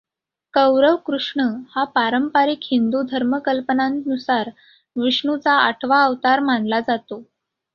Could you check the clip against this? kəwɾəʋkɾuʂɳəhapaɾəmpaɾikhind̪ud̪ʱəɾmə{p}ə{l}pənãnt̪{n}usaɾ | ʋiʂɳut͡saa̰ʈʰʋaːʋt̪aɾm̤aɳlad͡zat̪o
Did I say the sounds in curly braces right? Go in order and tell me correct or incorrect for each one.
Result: incorrect: k, correct, correct

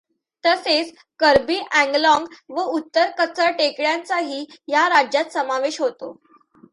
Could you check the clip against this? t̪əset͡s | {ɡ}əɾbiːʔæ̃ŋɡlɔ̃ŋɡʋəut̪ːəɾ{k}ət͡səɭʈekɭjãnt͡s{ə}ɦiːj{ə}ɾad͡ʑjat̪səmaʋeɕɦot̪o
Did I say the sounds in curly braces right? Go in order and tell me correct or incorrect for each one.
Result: incorrect: k, correct, incorrect: a, incorrect: a

